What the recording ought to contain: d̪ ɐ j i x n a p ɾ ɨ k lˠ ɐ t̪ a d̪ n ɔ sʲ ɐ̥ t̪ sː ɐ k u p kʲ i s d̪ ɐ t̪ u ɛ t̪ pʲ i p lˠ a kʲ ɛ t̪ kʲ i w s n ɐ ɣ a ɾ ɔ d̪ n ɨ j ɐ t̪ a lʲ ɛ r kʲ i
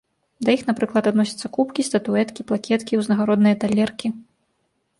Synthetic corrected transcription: d̪ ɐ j i x n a p ɾ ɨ k lˠ ɐ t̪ a d̪ n ɔ sʲ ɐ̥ t̪ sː ɐ k u p kʲ i s t̪ ɐ t̪ u ɛ t̪ kʲ i p lˠ a kʲ ɛ t̪ kʲ i w z n ɐ ɣ a ɾ ɔ d̪ n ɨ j ɐ t̪ a lʲ ɛ r kʲ i